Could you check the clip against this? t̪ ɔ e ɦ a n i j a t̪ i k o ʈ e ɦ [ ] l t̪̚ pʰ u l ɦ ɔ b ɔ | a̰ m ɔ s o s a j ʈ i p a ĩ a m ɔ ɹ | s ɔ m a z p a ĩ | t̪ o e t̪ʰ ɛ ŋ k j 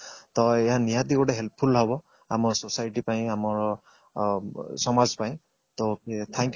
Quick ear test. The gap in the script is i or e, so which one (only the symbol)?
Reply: e